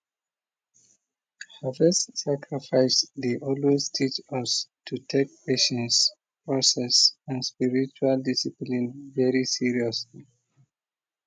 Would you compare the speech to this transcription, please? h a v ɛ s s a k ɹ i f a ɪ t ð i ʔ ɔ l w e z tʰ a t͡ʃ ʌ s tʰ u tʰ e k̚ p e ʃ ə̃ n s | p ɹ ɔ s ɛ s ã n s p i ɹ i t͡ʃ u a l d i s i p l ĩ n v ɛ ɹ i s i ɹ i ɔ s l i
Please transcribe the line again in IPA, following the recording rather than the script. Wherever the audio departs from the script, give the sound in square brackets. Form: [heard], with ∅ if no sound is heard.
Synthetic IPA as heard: h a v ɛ s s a k ɹ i f a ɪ [s] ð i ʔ ɔ l w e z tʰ [i] t͡ʃ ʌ s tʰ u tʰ e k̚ p e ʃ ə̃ n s | p ɹ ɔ s ɛ s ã n s p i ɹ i t͡ʃ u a l d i s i p l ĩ n v ɛ ɹ i s i ɹ i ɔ s l i